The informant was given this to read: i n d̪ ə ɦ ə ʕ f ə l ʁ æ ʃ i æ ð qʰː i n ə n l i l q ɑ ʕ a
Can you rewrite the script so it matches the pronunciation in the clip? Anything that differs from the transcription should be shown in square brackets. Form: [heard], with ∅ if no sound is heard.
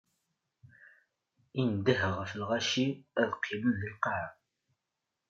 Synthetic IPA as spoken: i n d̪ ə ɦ ə [ʁ] f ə l ʁ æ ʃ i æ ð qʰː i [m] ə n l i l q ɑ ʕ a